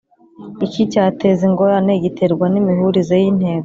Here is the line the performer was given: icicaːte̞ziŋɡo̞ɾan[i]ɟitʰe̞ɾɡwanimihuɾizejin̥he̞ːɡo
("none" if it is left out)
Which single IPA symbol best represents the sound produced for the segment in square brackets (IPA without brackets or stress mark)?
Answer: e